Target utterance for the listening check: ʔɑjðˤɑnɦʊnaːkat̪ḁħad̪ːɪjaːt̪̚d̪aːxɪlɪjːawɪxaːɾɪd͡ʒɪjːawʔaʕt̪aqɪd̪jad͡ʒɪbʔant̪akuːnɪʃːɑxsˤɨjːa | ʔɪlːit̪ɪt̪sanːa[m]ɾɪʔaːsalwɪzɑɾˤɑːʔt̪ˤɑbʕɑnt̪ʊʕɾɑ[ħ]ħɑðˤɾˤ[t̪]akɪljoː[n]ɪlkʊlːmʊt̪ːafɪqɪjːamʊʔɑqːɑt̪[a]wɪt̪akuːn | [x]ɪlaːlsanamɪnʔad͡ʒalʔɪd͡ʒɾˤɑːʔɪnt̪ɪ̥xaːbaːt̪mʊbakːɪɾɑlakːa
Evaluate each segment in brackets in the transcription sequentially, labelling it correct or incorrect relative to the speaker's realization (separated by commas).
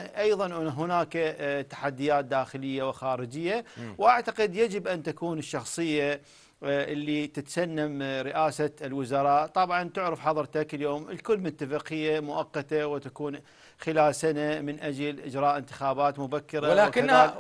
correct, incorrect, correct, incorrect, correct, correct